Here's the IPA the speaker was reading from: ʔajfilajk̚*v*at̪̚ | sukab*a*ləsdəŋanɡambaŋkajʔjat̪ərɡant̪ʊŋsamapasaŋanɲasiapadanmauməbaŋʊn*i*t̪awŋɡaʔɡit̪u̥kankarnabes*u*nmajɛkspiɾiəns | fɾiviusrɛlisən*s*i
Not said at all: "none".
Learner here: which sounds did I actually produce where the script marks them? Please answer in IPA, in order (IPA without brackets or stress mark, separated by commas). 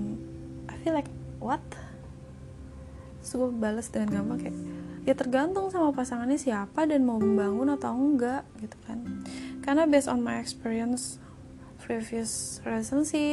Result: w, a, a, ɔ, s